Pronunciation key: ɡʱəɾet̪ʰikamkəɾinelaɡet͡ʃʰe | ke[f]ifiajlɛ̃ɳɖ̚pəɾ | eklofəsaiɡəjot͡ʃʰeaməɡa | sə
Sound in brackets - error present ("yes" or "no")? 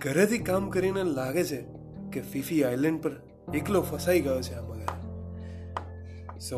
no